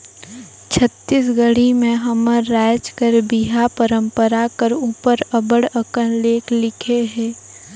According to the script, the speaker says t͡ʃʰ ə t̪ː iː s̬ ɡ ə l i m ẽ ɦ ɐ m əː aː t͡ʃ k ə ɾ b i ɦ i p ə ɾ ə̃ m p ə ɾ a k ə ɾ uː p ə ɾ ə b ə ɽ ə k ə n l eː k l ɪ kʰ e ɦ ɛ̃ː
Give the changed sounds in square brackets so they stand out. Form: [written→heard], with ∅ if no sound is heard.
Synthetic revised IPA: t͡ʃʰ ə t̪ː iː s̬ ɡ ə [l→ɽ] i m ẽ ɦ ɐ m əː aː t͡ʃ k ə ɾ b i ɦ [i→a] p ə ɾ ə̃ m p ə ɾ a k ə ɾ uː p ə ɾ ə b ə ɽ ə k ə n l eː k l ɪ kʰ e ɦ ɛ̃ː

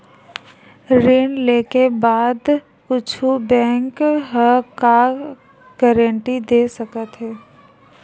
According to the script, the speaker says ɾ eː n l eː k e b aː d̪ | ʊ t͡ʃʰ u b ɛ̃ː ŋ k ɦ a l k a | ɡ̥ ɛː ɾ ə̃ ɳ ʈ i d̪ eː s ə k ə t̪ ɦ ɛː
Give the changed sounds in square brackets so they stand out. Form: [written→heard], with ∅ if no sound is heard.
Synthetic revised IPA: ɾ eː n l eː k e b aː d̪ | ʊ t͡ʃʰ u b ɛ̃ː ŋ k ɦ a [l→∅] k a | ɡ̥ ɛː ɾ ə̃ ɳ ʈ i d̪ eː s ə k ə t̪ ɦ ɛː

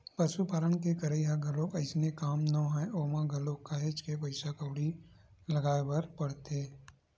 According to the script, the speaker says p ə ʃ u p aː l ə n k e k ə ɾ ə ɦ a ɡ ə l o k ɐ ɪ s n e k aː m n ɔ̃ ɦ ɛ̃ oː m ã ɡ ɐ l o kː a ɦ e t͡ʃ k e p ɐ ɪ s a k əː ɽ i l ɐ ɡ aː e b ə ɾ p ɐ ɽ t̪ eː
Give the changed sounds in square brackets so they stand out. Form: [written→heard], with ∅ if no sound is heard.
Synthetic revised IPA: p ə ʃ u p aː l ə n k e k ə ɾ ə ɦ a ɡ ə l o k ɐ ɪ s n e k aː m n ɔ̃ ɦ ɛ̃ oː m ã ɡ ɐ l o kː a ɦ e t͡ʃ k e p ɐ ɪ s a k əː ɽ i l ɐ ɡ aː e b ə ɾ p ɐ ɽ t̪ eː

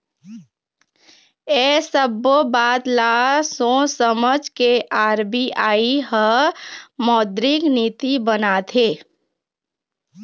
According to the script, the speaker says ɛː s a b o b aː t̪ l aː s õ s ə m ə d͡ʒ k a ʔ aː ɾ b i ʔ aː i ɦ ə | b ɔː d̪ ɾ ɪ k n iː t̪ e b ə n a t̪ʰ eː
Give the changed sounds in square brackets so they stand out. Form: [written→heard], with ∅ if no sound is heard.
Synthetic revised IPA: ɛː s [a→ə] b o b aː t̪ l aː s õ s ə m ə d͡ʒ k [a→e] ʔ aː ɾ b i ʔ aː i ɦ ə | [b→m] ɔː d̪ ɾ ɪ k n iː t̪ [e→i] b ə n a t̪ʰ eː

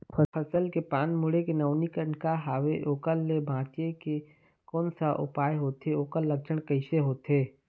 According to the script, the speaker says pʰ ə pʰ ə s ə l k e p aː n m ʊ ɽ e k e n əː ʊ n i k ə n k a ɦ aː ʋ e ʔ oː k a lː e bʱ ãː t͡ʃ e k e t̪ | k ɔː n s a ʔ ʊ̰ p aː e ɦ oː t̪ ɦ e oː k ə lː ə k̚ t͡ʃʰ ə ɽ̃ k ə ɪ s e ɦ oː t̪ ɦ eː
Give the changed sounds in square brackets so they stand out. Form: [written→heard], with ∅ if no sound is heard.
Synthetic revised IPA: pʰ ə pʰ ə s ə l k e p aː n m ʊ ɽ e k e n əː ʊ n i k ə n k a ɦ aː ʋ e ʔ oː k [a→ə] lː e bʱ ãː t͡ʃ e k e [t̪→∅] | k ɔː n s a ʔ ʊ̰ p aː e ɦ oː t̪ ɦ e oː k ə lː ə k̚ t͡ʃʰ ə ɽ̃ k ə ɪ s e ɦ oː t̪ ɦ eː

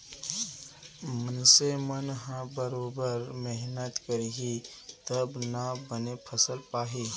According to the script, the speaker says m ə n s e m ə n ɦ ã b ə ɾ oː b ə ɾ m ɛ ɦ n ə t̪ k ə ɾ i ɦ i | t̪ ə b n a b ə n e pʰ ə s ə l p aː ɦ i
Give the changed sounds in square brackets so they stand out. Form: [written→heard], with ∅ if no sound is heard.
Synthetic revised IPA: m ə n s e m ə n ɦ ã b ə ɾ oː b ə ɾ m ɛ ɦ n ə t̪ k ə ɾ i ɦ i | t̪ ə b n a b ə n e pʰ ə s ə l p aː ɦ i

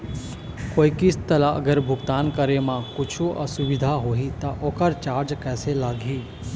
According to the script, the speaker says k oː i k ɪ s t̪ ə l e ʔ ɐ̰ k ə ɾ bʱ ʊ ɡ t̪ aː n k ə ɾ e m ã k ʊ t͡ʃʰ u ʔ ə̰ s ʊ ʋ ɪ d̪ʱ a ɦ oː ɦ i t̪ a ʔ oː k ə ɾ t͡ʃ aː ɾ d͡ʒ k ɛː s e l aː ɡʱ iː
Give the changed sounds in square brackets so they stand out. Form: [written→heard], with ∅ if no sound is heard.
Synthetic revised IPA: k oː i k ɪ s t̪ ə l [e→a] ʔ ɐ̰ [k→ɡ] ə ɾ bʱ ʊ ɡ t̪ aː n k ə ɾ e m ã k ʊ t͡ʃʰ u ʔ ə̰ s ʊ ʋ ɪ d̪ʱ a ɦ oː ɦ i t̪ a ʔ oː k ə ɾ t͡ʃ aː ɾ d͡ʒ k ɛː s e l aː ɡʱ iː

